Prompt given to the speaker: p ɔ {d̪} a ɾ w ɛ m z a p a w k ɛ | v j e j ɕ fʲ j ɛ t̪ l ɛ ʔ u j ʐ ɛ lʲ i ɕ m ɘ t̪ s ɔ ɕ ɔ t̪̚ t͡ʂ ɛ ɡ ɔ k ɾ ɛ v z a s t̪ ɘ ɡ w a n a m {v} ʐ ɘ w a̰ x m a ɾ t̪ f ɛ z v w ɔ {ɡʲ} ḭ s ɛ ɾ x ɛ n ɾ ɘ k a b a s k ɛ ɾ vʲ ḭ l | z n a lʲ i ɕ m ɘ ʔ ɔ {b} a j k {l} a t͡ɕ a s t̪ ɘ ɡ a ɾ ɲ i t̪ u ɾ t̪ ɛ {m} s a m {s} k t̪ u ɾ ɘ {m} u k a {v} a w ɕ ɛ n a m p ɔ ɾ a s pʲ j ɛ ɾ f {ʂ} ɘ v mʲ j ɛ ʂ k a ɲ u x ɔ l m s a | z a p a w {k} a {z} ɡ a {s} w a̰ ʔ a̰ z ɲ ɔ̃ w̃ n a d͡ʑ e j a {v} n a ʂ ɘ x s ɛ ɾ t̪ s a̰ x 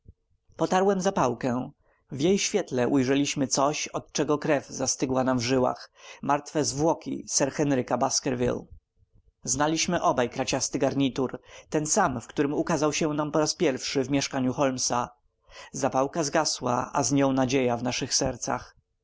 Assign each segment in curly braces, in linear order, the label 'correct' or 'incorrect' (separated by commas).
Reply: incorrect, correct, incorrect, correct, incorrect, incorrect, incorrect, correct, incorrect, correct, correct, correct, correct, correct